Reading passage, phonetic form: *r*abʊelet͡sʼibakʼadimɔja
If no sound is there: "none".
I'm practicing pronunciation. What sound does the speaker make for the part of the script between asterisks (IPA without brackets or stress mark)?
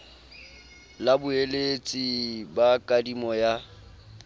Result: l